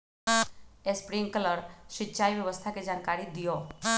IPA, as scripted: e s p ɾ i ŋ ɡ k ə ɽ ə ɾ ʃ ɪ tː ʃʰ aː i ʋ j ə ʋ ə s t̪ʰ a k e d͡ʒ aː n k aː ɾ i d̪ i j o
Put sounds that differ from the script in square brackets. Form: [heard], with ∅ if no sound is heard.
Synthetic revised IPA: e s p ɾ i ŋ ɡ k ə [l] ə ɾ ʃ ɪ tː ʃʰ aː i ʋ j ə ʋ ə s t̪ʰ a k e d͡ʒ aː n k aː ɾ i d̪ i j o